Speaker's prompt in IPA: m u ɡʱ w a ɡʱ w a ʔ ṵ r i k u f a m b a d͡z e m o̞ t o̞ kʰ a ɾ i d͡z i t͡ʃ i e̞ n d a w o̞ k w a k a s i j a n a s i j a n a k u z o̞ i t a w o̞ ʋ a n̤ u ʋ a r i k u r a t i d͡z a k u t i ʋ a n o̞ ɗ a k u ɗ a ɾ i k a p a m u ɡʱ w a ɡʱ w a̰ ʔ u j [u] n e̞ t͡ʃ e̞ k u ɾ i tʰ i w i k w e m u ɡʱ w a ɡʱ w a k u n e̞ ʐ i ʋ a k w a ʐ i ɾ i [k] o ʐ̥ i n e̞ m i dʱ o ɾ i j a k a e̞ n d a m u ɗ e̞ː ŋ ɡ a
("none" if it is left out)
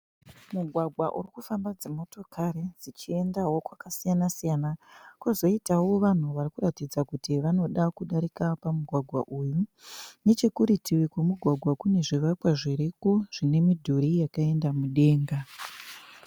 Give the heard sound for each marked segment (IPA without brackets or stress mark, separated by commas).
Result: u, k